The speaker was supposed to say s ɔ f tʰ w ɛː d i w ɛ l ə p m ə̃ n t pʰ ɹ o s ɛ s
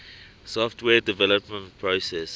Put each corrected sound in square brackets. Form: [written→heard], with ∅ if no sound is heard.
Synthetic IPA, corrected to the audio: s ɔ f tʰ w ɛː d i [w→v] ɛ l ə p m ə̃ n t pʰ ɹ o s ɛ s